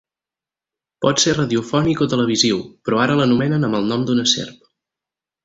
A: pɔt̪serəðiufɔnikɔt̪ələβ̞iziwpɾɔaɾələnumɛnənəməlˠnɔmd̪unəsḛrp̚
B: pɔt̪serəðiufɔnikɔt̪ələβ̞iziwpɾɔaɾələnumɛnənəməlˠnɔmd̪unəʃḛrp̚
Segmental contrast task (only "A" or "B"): A